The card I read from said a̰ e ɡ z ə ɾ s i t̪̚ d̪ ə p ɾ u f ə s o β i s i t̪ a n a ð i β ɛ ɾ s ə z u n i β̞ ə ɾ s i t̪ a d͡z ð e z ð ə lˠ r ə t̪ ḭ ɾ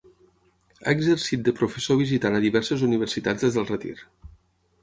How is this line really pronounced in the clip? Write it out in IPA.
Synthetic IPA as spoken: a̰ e ɡ z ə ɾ s i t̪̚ d̪ ə p ɾ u f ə s o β i z i t̪ a n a ð i β ɛ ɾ s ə z u n i β̞ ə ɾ s i t̪ a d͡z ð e z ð ə lˠ r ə t̪ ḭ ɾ

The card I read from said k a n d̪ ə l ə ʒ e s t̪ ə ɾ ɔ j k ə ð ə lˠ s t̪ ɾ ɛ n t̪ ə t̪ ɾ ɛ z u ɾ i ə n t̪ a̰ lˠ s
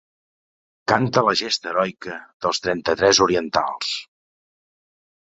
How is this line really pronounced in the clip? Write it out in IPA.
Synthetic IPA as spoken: k a n t̪ ə l ə ʒ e s t̪ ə ɾ ɔ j k ə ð ə lˠ s t̪ ɾ ɛ n t̪ ə t̪ ɾ ɛ z u ɾ i ə n t̪ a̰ lˠ s

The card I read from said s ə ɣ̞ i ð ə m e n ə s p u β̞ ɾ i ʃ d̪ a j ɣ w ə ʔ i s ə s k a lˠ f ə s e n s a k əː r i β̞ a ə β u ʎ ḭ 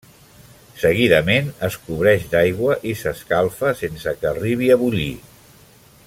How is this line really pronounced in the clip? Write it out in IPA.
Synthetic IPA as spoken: s ə ɣ̞ i ð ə m e n ə s k u β̞ ɾ ɛ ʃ d̪ a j ɣ w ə ʔ i s ə s k a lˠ f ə s e n s ə k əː r i β̞ i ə β u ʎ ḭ

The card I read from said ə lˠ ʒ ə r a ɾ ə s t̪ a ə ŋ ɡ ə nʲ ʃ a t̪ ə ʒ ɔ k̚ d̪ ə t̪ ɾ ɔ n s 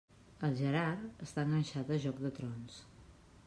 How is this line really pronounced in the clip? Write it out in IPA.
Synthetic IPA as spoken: ə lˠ ʒ ə ɾ a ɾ ə s t̪ a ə ŋ ɡ ə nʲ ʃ a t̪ ə ʒ ɔ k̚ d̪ ə t̪ ɾ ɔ n s

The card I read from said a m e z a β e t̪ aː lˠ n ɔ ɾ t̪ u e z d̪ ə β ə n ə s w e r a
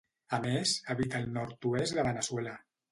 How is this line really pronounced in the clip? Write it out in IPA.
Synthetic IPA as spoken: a m e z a β i t̪ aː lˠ n ɔ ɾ t̪ u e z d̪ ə β ə n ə s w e l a

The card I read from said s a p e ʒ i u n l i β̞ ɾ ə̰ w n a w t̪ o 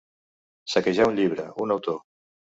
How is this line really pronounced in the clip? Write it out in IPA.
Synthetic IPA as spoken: s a k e ʒ a u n ʎ i β̞ ɾ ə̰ u n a w t̪ o

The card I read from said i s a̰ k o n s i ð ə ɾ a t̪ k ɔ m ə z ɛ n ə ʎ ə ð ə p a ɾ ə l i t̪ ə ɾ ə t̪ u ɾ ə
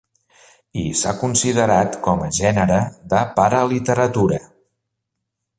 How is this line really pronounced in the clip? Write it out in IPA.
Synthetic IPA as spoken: i s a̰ k u n s i ð ə ɾ a t̪ k ɔ m ə ʒ ɛ n ə ɾ ə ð ə p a ɾ ə l i t̪ ə ɾ ə t̪ u ɾ ə

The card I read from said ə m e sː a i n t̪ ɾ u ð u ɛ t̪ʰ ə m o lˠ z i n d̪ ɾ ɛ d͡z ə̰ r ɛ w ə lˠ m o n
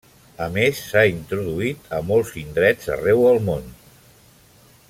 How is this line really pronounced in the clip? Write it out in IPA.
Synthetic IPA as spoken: ə m e sː a i n t̪ ɾ u ð u i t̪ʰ ə m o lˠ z i n d̪ ɾ ɛ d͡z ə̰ r ɛ w ə lˠ m o n

